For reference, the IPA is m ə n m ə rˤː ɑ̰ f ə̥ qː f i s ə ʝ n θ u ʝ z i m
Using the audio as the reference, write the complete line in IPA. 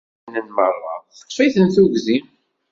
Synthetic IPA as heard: n ə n m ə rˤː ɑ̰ θ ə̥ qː f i θ ə n θ u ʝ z i m